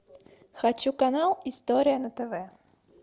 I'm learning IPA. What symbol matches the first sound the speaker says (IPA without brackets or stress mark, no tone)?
x